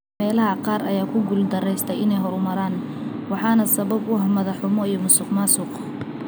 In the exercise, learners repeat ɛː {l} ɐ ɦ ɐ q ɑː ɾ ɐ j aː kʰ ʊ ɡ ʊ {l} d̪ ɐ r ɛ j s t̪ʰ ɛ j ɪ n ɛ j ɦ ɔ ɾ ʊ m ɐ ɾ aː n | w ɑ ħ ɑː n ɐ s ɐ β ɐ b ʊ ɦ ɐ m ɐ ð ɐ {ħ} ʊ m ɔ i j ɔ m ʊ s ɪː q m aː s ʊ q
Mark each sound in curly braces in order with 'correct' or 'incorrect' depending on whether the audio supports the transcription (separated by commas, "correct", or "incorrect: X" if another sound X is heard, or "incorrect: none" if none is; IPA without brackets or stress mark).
correct, correct, correct